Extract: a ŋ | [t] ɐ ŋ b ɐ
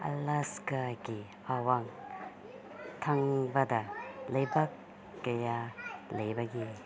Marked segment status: incorrect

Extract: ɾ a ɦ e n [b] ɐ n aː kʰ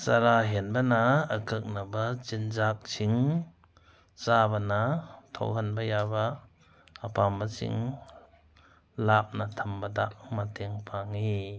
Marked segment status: correct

